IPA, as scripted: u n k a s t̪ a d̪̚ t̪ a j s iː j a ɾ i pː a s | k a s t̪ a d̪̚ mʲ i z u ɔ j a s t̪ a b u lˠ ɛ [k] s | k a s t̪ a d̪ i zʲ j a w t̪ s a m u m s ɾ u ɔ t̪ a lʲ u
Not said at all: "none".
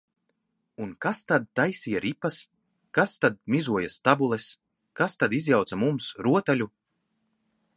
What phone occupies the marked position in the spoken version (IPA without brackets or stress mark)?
none